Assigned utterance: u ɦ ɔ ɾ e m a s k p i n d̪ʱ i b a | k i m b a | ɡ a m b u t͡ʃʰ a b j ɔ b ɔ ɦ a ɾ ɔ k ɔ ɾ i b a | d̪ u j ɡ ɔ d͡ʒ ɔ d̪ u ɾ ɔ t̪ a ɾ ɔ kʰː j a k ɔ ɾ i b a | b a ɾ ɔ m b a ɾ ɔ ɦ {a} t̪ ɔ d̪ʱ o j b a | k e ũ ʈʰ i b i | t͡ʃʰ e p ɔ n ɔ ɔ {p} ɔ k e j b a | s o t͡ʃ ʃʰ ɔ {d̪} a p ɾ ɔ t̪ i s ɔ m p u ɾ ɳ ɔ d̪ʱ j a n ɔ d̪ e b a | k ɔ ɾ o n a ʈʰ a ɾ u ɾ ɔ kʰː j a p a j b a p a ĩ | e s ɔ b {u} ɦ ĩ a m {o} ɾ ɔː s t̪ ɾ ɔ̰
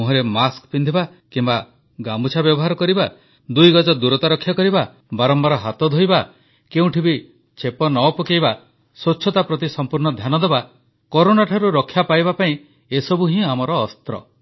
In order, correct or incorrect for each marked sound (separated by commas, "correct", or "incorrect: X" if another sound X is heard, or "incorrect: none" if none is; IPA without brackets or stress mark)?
correct, correct, incorrect: t̪, correct, incorrect: ɔ